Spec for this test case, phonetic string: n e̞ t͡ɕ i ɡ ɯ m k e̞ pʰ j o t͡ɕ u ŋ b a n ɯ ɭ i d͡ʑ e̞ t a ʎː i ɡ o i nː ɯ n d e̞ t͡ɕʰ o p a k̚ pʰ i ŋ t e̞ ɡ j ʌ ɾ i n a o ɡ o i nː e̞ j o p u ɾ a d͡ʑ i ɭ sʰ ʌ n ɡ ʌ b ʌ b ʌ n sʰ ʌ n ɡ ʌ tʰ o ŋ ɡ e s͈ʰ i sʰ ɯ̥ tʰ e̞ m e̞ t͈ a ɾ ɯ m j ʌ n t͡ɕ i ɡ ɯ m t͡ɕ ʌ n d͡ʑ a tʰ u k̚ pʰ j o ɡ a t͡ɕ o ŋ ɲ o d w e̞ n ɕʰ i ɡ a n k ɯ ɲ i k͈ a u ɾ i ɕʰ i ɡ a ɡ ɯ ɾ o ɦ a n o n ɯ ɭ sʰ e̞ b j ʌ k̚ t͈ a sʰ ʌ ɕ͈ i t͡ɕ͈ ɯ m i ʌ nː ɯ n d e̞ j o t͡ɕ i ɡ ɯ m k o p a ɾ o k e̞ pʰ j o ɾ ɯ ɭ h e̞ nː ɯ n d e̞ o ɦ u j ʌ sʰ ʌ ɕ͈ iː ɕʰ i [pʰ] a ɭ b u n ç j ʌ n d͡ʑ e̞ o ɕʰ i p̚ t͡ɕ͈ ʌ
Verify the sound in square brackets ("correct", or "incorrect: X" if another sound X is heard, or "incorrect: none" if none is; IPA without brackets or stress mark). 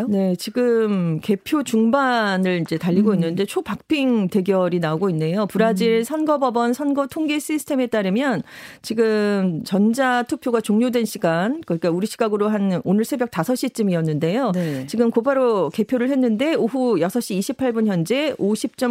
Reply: correct